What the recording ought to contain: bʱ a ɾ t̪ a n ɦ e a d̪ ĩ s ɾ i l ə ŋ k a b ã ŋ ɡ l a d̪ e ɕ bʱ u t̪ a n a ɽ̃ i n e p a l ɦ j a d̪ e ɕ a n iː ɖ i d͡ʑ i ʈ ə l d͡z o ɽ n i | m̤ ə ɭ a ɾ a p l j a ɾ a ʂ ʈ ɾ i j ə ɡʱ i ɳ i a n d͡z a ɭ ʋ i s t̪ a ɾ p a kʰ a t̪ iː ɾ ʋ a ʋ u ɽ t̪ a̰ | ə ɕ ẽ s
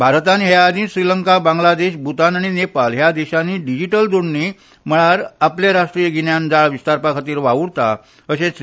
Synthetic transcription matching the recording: bʱ a ɾ t̪ a n ɦ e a d̪ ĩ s ɾ i l ə ŋ k a b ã ŋ ɡ l a d̪ e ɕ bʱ u t̪ a n a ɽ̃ i n e p a l ɦ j a d̪ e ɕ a n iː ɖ i d͡ʑ i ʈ ə l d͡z o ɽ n i | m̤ ə ɭ a ɾ a p l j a ɾ a ʂ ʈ ɾ i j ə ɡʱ i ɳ j a n d͡z a ɭ ʋ i s t̪ a ɾ p a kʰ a t̪ iː ɾ ʋ a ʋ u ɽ t̪ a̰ | ə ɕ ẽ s